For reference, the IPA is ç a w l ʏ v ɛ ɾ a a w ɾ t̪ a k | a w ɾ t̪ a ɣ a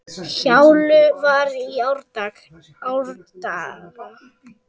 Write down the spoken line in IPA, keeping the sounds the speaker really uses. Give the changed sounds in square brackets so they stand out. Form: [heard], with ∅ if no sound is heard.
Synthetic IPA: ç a w l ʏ v [a] ɾ [i] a w ɾ t̪ a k | a w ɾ t̪ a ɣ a